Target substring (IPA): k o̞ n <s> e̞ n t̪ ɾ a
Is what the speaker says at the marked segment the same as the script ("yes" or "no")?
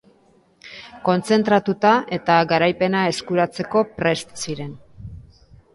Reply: no